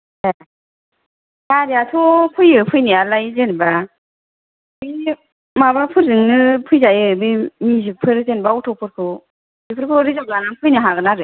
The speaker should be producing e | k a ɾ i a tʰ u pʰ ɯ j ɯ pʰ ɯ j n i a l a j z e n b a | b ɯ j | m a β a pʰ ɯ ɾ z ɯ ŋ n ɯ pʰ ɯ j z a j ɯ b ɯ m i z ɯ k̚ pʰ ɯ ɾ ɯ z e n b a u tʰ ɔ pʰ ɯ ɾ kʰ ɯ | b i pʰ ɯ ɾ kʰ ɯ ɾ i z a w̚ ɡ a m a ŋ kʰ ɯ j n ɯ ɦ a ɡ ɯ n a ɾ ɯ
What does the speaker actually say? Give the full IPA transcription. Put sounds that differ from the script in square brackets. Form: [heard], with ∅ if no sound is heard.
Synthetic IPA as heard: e | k a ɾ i a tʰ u pʰ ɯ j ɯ pʰ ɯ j n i a l a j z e n b a | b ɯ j | m a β a pʰ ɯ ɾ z ɯ ŋ n ɯ pʰ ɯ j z a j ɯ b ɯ m i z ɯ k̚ pʰ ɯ ɾ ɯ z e n b a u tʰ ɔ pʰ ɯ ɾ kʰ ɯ | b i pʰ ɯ ɾ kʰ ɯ ɾ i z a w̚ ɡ a [n] a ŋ [pʰ] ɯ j n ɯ ɦ a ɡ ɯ n a ɾ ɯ